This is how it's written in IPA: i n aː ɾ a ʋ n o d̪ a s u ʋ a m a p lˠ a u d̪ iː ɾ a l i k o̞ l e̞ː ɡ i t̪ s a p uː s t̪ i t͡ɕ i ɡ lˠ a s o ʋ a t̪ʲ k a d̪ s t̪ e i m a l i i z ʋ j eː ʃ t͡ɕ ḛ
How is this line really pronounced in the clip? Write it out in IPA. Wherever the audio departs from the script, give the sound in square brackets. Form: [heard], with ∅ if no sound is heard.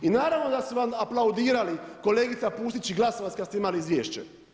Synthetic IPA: i n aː ɾ a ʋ n o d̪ a s u ʋ a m a p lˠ a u d̪ iː ɾ a l i k o̞ l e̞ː ɡ i t̪ s a p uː s t̪ i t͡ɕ i ɡ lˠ a s o ʋ a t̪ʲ k a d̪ s t̪ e i m a l i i z ʋ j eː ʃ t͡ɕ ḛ